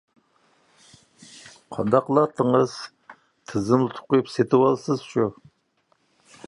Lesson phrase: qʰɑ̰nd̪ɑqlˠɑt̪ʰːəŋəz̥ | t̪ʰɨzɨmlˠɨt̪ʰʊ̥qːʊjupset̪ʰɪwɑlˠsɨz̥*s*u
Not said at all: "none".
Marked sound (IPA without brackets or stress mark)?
ʃ